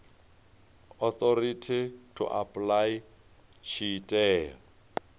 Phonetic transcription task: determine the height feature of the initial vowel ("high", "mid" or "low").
mid